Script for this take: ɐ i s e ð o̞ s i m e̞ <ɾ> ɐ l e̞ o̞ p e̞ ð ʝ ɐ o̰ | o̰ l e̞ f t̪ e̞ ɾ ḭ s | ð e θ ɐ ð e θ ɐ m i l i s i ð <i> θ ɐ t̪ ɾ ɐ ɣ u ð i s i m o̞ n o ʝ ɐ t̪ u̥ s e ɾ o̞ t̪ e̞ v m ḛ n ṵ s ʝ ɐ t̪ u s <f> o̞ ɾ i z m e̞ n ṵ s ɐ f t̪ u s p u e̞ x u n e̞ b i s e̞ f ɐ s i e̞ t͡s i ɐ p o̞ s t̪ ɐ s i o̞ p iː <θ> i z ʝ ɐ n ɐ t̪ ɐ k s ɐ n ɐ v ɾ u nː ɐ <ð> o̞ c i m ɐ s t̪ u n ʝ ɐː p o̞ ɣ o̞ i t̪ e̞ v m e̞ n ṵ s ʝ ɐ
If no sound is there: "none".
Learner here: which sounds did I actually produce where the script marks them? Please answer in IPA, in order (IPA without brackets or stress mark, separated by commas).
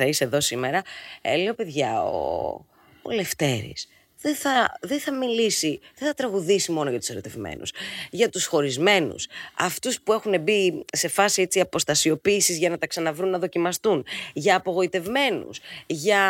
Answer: ɾ, e, x, s, ð